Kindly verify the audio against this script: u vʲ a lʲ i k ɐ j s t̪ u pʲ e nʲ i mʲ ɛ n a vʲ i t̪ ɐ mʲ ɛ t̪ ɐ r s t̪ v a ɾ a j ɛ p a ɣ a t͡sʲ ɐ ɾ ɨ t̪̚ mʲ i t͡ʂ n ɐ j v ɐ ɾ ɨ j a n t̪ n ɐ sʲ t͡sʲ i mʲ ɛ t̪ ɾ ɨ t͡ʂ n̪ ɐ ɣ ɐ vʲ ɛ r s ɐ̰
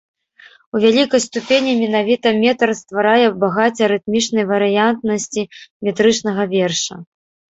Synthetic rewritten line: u vʲ a lʲ i k ɐ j s t̪ u pʲ e nʲ i mʲ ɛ n a vʲ i t̪ ɐ mʲ ɛ t̪ ɐ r s t̪ v a ɾ a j ɛ b a ɣ a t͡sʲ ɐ ɾ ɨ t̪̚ mʲ i t͡ʂ n ɐ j v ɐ ɾ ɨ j a n t̪ n ɐ sʲ t͡sʲ i mʲ ɛ t̪ ɾ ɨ t͡ʂ n̪ ɐ ɣ ɐ vʲ ɛ r ʂ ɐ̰